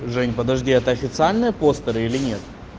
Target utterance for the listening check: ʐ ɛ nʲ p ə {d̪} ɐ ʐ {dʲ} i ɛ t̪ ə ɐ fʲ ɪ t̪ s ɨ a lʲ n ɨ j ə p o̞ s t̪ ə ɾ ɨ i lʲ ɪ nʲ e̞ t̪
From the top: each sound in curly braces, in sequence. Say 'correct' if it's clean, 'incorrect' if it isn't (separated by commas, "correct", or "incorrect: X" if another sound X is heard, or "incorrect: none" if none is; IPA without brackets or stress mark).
correct, correct